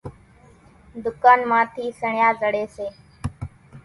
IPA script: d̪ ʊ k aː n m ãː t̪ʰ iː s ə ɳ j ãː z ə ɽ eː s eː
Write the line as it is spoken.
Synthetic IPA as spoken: d̪ ʊ k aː n m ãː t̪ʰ iː s ə ɳ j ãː z ə ɽ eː s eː

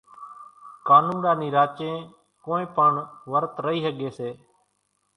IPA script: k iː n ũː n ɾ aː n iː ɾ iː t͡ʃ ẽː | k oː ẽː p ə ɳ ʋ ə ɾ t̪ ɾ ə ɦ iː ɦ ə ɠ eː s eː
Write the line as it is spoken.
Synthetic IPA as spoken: k aː n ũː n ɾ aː n iː ɾ aː t͡ʃ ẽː | k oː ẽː p ə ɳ ʋ ə ɾ t̪ ɾ ə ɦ iː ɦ ə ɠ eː s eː

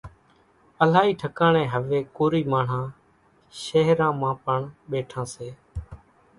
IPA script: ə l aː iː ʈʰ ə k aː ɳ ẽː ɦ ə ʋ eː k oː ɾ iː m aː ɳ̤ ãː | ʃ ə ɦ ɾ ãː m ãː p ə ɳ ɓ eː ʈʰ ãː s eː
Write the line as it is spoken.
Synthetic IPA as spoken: ə l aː iː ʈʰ ə k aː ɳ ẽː ɦ ə ʋ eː k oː ɾ iː m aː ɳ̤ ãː | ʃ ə ɦ ɾ ãː m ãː p ə ɳ ɓ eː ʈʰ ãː s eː

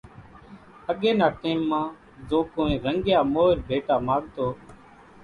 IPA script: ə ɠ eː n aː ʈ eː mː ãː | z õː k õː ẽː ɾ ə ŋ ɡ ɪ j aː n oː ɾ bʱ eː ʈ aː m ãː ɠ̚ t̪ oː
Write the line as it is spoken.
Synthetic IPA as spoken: ə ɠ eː n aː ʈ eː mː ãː | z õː k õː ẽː ɾ ə ŋ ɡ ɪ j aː m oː ɾ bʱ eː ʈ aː m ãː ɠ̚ t̪ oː

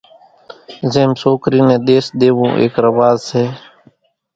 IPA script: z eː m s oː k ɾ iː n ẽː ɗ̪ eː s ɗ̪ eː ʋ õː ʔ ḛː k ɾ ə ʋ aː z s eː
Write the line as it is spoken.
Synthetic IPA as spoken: z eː m s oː k ɾ iː n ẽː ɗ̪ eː s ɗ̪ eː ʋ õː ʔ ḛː k ɾ ə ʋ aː z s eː

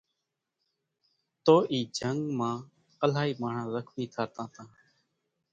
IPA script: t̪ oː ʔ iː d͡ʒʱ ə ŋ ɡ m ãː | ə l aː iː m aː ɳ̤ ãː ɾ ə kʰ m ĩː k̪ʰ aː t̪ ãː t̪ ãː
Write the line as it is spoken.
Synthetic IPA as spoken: t̪ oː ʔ iː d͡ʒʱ ə ŋ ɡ m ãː | ə l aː iː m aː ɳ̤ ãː ɾ ə kʰ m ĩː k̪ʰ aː t̪ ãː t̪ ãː

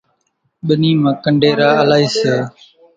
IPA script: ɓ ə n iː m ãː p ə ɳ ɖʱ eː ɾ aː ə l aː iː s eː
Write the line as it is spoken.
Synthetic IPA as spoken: ɓ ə n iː m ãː k ə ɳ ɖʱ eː ɾ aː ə l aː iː s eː

